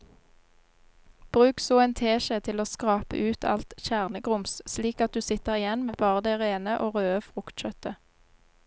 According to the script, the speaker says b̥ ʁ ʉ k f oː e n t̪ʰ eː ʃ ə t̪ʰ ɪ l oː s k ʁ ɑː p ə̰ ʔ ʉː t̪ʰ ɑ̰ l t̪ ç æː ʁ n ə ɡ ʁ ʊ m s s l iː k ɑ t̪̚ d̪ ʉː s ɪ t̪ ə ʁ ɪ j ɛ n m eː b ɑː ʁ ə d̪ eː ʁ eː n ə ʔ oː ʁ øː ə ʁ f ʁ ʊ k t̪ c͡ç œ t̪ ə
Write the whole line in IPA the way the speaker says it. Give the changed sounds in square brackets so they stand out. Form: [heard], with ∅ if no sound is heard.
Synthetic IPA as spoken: b̥ ʁ [ʉː] k [s] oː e n t̪ʰ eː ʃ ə t̪ʰ ɪ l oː s k ʁ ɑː p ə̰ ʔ ʉː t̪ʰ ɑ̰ l t̪ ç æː ʁ n ə ɡ ʁ ʊ m s s l iː k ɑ t̪̚ d̪ ʉː s ɪ t̪ ə ʁ ɪ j ɛ n m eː b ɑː ʁ ə d̪ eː ʁ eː n ə ʔ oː ʁ øː ə [∅] f ʁ ʊ k t̪ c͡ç œ t̪ ə

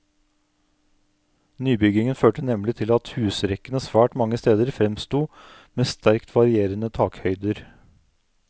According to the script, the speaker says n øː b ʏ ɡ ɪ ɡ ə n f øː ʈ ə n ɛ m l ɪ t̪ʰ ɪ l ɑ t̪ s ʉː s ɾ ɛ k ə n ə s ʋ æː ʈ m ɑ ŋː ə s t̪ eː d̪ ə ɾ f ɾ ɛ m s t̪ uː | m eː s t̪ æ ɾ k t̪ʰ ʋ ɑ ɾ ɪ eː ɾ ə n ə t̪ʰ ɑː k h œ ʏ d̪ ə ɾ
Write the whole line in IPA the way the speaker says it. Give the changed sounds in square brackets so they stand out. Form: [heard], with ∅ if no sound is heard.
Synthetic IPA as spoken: n [yː] b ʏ ɡ ɪ [ŋ] ə n f øː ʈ ə n ɛ m l ɪ t̪ʰ ɪ l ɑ t̪ [h] ʉː s ɾ ɛ k ə n ə s ʋ æː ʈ m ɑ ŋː ə s t̪ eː d̪ ə ɾ f ɾ ɛ m s t̪ uː | m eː s t̪ æ ɾ k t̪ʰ ʋ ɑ ɾ ɪ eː ɾ ə n ə t̪ʰ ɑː k h œ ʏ d̪ ə ɾ

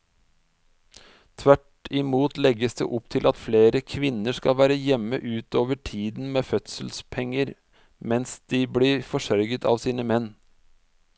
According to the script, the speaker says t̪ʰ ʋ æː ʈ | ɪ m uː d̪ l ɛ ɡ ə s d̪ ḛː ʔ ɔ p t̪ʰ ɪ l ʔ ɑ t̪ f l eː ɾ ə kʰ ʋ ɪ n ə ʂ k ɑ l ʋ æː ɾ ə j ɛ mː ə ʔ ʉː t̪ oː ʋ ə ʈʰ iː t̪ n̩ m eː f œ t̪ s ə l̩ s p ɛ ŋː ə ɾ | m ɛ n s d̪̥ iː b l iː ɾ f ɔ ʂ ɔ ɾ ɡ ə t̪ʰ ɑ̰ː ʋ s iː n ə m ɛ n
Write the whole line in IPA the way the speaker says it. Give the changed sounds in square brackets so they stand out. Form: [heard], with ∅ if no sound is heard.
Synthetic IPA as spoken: t̪ʰ ʋ [æ] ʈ | ɪ m uː [t̪] l ɛ ɡ ə s d̪ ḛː ʔ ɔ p t̪ʰ ɪ l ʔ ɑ t̪ f l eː ɾ ə kʰ ʋ ɪ n ə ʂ k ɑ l ʋ æː ɾ ə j ɛ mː ə ʔ ʉː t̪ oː ʋ ə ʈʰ iː [d̪] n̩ m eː f œ t̪ s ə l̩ s [pʰ] ɛ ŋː ə ɾ | m ɛ n s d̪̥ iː b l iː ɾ f ɔ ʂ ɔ ɾ ɡ ə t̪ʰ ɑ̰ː ʋ s iː n ə m ɛ n

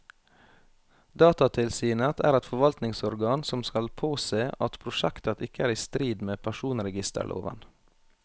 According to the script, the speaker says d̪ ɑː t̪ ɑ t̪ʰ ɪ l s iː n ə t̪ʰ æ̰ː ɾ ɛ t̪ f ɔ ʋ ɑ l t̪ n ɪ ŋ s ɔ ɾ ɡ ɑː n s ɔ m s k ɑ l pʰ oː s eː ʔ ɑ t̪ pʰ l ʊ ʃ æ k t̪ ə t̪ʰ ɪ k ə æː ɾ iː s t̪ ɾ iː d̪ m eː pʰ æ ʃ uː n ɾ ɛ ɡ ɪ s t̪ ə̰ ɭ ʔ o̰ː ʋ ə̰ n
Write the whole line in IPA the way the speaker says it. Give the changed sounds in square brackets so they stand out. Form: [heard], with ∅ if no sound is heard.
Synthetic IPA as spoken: d̪ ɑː t̪ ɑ t̪ʰ ɪ l s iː n ə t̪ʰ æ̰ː ɾ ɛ t̪ f ɔ ʋ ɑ l t̪ n ɪ ŋ s ɔ ɾ ɡ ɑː n s ɔ m s k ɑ l pʰ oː s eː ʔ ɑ t̪ pʰ [ɾ] ʊ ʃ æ k t̪ ə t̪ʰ ɪ k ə æː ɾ iː s t̪ ɾ iː d̪ m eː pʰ æ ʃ uː n ɾ ɛ ɡ ɪ s t̪ ə̰ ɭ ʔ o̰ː ʋ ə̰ n

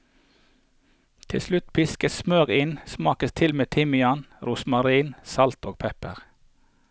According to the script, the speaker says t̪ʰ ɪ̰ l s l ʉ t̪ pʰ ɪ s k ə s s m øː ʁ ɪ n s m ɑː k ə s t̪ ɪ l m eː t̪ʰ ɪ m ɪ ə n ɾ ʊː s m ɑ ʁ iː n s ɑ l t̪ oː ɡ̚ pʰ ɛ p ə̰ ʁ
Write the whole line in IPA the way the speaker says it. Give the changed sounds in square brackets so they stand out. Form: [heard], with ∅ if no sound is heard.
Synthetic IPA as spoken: t̪ʰ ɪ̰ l s l ʉ t̪ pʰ ɪ s k ə s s m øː ʁ ɪ n s m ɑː k ə s [t̪ʰ] ɪ l m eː t̪ʰ ɪ m ɪ [ɑ] n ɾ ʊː s m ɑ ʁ iː n s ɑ l t̪ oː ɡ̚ pʰ ɛ p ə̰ ʁ

